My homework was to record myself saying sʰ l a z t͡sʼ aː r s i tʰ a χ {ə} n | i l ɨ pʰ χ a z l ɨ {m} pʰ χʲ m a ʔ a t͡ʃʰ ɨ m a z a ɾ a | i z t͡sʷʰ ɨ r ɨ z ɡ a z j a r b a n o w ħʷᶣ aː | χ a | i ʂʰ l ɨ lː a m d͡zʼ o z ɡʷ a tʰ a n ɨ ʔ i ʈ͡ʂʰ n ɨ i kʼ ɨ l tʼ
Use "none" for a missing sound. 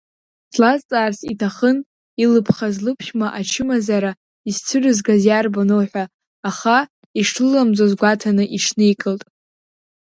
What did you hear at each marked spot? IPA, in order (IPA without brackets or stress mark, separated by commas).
ə, none